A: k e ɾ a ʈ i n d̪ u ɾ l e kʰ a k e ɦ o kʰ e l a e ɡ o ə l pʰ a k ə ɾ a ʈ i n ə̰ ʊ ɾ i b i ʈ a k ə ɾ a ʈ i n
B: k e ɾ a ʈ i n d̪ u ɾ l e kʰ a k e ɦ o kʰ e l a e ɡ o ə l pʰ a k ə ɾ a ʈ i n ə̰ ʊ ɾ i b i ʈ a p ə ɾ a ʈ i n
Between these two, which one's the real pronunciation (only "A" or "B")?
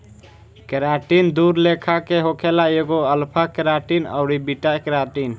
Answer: A